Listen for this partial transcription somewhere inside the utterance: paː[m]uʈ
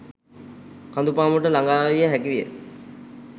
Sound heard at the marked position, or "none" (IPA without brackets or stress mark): m